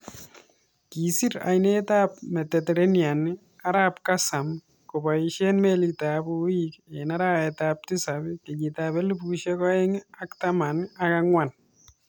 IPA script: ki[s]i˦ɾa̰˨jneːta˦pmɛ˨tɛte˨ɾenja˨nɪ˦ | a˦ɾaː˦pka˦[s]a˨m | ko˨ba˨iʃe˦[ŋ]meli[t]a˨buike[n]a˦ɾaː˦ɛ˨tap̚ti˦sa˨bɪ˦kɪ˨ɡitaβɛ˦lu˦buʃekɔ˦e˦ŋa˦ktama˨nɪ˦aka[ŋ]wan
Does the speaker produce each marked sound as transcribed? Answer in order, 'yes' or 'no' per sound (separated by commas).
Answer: yes, yes, no, yes, yes, yes